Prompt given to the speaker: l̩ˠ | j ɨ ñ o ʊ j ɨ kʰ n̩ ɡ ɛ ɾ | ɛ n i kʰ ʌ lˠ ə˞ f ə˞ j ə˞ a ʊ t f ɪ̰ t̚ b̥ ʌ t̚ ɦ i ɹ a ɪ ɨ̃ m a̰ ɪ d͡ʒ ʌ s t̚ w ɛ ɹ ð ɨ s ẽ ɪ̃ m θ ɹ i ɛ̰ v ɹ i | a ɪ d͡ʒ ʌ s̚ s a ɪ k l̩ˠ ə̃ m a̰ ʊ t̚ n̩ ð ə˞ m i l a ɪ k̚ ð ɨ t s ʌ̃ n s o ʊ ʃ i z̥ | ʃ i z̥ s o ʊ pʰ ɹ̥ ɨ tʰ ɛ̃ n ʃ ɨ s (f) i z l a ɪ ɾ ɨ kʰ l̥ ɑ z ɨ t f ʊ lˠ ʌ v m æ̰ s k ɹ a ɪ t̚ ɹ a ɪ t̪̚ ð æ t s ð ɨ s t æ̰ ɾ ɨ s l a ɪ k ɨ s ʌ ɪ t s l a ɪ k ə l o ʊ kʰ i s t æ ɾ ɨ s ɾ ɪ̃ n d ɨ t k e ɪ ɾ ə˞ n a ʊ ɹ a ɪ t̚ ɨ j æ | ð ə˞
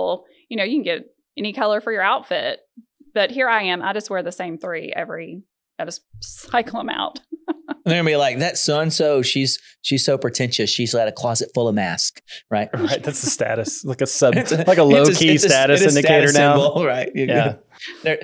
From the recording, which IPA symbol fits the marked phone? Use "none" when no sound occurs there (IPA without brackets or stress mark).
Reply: ʃ